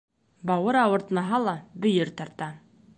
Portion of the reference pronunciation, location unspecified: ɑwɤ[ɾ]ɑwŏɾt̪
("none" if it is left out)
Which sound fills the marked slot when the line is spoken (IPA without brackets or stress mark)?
ɾ